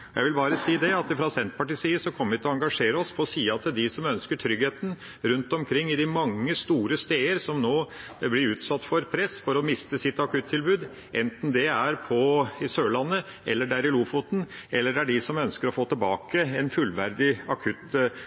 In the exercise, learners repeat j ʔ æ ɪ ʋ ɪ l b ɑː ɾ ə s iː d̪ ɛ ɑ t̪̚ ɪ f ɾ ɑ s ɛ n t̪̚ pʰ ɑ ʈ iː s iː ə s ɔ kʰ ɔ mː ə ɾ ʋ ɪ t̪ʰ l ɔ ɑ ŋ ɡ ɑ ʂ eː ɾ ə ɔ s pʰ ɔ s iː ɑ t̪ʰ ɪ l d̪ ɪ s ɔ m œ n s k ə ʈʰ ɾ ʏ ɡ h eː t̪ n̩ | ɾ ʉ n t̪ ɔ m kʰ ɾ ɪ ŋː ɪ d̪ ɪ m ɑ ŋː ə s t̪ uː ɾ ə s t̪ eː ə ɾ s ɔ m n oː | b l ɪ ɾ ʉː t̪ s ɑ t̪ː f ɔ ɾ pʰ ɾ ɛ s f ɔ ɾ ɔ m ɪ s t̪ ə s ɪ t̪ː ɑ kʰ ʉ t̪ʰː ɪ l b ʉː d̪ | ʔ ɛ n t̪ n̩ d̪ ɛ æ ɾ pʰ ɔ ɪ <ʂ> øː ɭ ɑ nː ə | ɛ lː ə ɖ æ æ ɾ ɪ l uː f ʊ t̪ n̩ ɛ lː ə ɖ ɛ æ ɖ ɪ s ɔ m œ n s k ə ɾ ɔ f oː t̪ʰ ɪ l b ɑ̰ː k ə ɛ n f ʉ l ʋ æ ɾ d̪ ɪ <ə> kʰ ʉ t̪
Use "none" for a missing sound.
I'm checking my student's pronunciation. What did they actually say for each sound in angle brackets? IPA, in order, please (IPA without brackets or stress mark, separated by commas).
s, ɑ